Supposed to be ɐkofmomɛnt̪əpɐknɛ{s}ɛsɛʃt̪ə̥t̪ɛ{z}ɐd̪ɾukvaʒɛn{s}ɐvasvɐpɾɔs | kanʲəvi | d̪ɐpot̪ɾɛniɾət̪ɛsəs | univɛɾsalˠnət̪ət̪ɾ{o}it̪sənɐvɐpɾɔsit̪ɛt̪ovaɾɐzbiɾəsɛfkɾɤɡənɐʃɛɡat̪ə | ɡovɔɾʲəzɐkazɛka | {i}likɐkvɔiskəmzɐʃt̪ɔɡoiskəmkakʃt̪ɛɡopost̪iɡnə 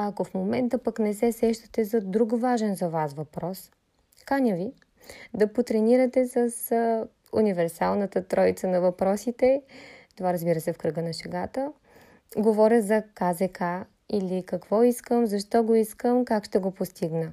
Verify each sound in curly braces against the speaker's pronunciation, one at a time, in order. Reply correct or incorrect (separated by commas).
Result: correct, correct, incorrect, incorrect, correct